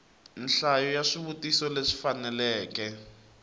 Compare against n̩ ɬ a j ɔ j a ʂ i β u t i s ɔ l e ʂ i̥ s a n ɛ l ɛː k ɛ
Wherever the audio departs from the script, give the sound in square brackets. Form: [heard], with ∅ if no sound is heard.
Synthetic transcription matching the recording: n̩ ɬ a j ɔ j a ʂ i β u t i s ɔ l e ʂ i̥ [f] a n ɛ l ɛː k ɛ